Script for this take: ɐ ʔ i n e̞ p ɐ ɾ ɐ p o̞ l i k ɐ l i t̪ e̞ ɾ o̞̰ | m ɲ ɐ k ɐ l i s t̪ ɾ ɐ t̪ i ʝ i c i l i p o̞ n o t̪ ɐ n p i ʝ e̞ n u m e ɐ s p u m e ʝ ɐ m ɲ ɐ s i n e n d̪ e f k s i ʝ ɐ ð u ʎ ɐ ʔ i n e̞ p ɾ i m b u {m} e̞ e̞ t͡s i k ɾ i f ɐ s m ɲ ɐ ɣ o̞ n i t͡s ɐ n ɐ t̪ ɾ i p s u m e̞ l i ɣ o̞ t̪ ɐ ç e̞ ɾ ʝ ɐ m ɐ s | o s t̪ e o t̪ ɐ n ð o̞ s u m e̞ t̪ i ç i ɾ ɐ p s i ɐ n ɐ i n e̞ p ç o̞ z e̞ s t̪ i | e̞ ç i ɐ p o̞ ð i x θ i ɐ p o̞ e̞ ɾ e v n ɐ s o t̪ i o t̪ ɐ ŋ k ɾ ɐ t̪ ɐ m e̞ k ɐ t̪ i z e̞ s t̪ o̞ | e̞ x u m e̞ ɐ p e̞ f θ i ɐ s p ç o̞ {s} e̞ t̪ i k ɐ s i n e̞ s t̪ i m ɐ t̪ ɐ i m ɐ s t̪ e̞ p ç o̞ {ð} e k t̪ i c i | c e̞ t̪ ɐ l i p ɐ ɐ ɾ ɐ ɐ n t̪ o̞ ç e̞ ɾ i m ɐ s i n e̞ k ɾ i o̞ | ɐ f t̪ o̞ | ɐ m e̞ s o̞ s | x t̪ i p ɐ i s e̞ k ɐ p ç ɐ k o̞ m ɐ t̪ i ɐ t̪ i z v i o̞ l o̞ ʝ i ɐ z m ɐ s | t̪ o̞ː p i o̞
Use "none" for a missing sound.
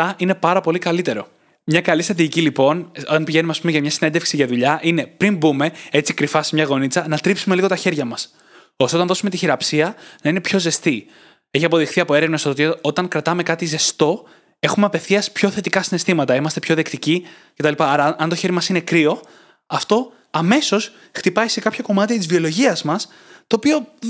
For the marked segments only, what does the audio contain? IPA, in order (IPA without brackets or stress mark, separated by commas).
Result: m, θ, ð